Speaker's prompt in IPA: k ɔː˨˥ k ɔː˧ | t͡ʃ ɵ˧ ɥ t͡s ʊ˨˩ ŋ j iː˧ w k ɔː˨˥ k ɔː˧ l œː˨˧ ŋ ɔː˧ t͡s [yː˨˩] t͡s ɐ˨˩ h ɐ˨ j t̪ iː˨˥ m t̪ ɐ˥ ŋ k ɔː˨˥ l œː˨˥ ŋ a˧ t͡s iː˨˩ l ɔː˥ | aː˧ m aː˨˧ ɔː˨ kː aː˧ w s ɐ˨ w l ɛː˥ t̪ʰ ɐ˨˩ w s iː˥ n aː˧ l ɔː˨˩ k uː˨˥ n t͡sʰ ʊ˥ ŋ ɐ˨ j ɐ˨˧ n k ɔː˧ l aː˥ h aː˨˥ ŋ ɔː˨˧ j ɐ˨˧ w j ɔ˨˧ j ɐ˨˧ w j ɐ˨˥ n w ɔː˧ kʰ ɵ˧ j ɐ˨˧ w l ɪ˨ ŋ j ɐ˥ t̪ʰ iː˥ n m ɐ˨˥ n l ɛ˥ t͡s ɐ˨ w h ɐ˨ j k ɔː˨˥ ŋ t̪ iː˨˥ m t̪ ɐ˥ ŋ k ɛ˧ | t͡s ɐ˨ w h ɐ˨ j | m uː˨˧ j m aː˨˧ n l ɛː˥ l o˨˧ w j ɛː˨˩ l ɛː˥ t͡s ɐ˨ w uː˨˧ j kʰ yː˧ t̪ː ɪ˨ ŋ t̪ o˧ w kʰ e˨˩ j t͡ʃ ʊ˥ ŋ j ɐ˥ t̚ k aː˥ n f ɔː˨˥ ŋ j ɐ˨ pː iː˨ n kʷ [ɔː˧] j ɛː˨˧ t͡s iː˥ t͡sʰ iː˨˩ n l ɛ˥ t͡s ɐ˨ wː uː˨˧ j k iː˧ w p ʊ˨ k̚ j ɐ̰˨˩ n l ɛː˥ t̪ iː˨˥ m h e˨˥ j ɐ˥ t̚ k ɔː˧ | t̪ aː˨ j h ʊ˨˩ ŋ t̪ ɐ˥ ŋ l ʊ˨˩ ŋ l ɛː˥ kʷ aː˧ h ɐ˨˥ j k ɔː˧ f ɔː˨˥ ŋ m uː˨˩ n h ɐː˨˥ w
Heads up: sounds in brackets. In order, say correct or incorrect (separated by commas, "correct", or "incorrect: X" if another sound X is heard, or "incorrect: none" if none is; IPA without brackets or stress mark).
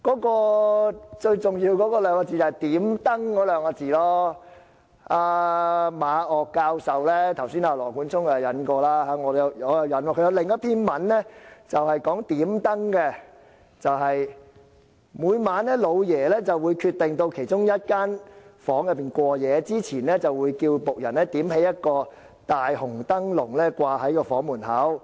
incorrect: iː˨˩, correct